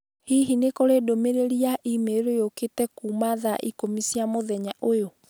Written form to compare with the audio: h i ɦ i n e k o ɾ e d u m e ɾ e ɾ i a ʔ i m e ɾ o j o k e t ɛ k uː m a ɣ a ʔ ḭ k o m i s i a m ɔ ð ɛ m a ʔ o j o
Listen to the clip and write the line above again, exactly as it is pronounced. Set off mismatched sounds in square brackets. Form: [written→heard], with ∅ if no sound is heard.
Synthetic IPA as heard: h i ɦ i n e k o ɾ e d [u→o] m e ɾ e ɾ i a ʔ i m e ɾ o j o k e t ɛ k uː m a [ɣ→ð] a ʔ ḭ k o m i s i a m [ɔ→o] ð ɛ [m→ɲ] a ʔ o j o